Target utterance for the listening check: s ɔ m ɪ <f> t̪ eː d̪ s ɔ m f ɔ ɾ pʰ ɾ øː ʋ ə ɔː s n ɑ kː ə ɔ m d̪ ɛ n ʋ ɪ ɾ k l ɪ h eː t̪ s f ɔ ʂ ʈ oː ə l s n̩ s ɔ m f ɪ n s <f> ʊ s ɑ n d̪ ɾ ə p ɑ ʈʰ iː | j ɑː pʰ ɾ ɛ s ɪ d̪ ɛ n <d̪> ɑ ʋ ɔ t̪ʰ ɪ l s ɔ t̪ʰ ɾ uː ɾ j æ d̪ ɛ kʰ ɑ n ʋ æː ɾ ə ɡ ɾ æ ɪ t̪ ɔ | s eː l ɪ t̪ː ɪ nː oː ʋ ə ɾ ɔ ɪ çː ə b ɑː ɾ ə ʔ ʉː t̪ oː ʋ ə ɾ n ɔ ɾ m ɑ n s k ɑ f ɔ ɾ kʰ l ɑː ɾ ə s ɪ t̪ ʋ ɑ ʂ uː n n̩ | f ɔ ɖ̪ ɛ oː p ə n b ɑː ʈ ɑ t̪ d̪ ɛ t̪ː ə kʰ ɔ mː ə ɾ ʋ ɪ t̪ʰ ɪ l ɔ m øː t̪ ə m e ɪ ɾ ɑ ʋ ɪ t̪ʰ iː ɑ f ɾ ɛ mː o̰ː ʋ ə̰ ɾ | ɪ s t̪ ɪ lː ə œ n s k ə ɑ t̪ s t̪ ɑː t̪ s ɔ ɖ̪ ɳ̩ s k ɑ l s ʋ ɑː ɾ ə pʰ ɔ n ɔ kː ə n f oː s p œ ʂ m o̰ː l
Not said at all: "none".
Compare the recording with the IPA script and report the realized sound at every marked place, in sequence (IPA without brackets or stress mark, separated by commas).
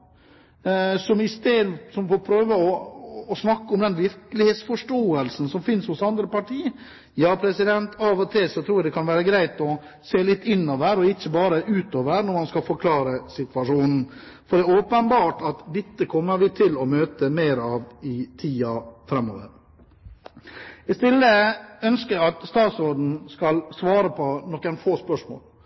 s, h, t̪